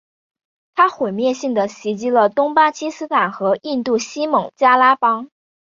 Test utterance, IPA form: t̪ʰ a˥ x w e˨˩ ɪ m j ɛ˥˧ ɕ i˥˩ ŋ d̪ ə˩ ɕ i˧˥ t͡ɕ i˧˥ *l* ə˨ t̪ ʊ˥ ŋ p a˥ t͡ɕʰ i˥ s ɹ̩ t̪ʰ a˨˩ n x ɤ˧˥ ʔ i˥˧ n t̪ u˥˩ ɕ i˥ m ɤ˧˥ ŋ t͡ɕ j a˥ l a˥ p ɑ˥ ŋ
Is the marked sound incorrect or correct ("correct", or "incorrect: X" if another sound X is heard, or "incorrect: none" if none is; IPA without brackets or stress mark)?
correct